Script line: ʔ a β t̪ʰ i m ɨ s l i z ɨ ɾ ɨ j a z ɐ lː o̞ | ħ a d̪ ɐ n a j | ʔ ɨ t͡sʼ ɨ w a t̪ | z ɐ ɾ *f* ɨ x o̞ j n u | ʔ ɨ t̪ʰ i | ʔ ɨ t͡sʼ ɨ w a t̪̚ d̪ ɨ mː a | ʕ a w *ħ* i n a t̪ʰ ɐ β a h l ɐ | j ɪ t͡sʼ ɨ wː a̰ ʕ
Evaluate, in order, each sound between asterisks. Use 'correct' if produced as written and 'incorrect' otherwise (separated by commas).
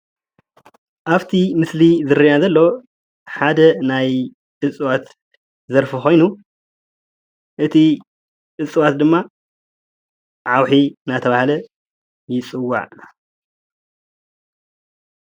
correct, correct